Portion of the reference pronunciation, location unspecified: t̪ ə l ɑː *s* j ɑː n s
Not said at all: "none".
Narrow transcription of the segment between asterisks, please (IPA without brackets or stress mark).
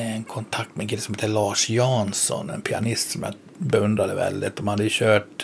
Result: ʂ